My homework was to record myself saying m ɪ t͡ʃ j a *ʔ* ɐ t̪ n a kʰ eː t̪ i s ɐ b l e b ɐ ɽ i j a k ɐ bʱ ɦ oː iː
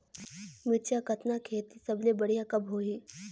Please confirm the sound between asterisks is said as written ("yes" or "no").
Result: no